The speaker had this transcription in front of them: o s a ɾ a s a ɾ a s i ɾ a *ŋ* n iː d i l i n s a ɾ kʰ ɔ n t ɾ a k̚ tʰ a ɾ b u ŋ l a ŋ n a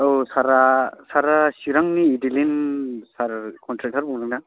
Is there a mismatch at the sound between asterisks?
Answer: no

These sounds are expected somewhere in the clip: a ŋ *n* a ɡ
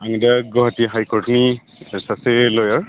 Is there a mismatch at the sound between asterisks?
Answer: yes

